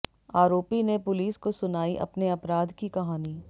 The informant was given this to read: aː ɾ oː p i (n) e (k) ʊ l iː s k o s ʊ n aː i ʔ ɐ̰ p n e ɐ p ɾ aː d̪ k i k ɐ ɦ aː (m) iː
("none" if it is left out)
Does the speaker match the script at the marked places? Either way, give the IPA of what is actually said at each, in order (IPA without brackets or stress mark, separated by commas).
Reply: n, p, n